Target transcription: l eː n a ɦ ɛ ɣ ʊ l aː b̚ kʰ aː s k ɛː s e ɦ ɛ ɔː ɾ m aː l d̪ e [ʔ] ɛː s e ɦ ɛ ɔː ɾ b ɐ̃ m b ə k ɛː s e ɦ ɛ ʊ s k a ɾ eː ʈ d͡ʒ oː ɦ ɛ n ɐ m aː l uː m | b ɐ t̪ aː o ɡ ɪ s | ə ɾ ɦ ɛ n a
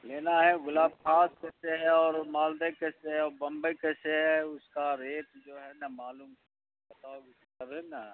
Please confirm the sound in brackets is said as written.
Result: no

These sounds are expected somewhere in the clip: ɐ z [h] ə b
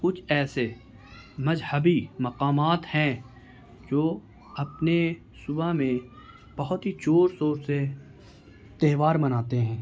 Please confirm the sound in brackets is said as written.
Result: yes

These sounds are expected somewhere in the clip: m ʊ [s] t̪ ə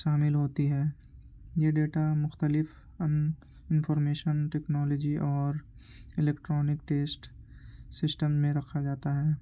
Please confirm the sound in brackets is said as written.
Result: no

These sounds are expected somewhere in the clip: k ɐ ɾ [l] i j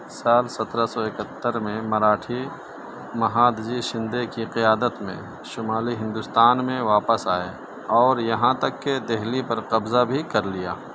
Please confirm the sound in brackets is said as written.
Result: yes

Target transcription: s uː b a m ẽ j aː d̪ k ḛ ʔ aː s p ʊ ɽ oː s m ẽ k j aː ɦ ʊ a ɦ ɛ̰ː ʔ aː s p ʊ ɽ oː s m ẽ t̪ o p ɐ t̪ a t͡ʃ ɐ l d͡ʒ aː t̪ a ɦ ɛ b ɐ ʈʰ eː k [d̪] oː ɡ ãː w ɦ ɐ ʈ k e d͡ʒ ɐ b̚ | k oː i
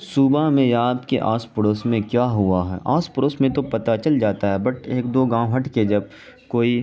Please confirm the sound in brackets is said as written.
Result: yes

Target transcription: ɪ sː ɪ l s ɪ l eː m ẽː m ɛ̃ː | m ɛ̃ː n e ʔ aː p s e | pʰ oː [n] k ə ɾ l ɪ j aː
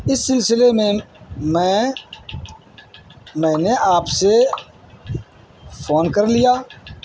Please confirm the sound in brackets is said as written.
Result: yes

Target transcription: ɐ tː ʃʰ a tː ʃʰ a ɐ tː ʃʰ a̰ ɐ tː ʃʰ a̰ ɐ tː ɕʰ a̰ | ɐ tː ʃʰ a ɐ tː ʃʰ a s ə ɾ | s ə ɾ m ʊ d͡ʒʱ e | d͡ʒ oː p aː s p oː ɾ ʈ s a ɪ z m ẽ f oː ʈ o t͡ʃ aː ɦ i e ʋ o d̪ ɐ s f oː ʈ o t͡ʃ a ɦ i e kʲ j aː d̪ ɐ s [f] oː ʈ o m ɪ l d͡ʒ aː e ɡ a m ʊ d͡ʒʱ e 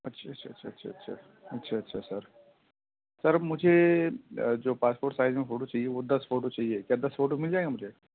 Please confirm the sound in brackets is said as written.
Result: yes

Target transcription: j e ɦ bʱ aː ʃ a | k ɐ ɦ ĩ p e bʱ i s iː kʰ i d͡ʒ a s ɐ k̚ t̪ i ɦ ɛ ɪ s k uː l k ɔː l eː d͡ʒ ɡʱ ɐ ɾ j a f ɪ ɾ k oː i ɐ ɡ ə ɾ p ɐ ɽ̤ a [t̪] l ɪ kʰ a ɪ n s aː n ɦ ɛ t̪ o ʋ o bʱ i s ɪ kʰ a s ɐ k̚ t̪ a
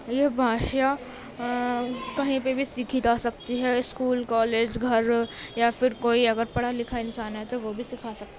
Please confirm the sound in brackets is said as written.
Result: no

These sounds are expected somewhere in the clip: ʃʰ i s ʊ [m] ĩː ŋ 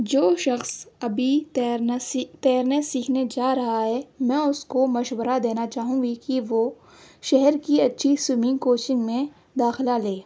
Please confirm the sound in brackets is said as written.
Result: yes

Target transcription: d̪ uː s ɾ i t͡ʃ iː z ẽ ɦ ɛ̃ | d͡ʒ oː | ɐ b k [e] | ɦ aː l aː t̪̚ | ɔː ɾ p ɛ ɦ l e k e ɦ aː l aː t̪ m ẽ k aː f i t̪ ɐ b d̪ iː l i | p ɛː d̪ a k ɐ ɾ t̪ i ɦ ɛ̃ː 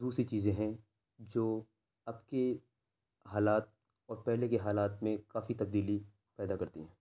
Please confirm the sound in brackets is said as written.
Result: yes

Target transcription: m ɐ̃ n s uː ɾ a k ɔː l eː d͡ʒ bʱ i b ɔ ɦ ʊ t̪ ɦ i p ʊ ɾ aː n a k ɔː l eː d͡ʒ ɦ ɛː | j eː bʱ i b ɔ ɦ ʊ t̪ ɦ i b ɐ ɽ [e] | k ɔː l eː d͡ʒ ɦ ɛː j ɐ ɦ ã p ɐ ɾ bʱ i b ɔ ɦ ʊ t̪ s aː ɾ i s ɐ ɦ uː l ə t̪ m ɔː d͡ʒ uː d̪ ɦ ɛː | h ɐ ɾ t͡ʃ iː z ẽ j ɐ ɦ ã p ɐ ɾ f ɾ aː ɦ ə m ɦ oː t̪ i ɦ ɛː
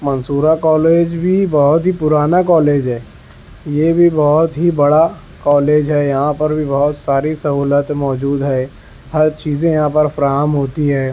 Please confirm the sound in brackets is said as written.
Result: no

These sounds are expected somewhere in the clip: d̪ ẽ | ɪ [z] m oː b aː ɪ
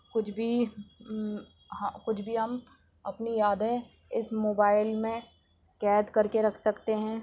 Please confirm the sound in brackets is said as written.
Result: no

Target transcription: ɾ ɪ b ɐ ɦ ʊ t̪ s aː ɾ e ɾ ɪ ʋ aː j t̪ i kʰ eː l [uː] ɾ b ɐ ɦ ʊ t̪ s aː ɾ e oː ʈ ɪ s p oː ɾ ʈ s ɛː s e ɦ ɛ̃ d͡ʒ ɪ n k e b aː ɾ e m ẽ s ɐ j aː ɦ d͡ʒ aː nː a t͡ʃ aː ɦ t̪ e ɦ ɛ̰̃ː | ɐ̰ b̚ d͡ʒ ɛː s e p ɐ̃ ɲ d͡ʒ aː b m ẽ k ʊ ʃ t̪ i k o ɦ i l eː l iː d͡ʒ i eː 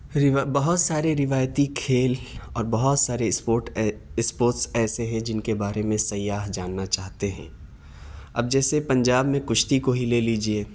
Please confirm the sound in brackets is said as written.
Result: no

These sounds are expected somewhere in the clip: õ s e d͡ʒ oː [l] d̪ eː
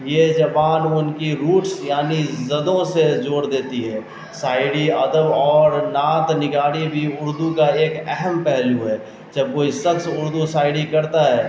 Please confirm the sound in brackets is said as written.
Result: no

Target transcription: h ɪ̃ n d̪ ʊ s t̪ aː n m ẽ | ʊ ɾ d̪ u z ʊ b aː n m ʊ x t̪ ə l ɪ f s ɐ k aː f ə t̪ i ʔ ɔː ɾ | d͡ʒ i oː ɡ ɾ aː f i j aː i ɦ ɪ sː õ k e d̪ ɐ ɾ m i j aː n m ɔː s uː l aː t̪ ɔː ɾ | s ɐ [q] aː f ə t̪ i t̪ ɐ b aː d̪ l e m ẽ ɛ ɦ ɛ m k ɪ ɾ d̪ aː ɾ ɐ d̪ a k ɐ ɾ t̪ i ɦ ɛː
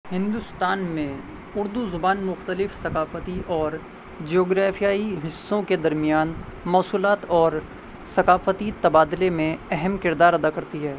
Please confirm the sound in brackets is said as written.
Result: no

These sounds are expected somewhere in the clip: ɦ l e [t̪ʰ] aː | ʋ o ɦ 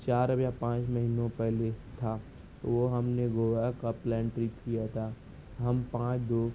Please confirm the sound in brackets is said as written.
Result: yes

